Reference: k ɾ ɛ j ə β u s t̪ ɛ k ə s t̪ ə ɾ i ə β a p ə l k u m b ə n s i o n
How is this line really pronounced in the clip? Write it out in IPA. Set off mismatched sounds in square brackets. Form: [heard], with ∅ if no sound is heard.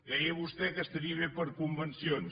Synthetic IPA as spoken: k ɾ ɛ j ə β u s t̪ ɛ k ə s t̪ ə ɾ i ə β [e] p ə [ɾ] k u m b ə n s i o n